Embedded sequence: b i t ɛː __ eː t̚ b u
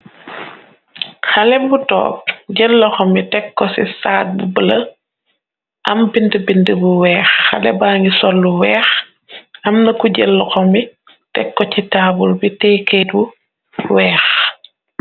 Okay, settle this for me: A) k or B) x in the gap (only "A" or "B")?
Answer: A